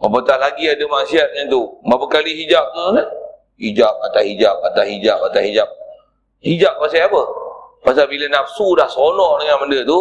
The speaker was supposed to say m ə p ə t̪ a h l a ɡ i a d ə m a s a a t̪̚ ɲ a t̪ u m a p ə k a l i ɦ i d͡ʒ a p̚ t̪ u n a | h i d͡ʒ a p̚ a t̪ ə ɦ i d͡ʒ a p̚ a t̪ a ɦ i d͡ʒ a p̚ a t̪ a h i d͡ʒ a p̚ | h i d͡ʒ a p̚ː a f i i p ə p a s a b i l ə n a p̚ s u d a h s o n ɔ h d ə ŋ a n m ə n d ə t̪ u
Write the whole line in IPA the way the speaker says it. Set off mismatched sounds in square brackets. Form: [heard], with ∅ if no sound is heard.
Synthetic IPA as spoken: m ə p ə t̪ a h l a ɡ i a d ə m a s [i] a t̪̚ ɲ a t̪ u m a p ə k a l i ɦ i d͡ʒ a p̚ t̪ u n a | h i d͡ʒ a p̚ a t̪ [a] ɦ i d͡ʒ a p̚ a t̪ a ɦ i d͡ʒ a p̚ a t̪ a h i d͡ʒ a p̚ | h i d͡ʒ a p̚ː a [s] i [a] p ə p a s a b i l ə n a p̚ s u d a h s o n ɔ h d ə ŋ a n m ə n d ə t̪ u